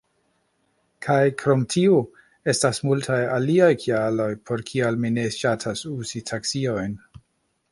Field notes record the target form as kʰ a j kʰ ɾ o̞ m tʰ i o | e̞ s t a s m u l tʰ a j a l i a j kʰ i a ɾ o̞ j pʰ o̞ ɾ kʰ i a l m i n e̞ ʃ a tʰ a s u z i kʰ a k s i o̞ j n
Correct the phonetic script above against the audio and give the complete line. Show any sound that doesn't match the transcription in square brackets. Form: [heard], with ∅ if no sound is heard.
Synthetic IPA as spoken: kʰ a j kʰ ɾ o̞ m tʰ i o | e̞ s t a s m u l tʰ a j a l i a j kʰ i a [l] o̞ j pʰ o̞ ɾ kʰ i a l m i n e̞ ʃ a tʰ a s u z i [tʰ] a k s i o̞ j n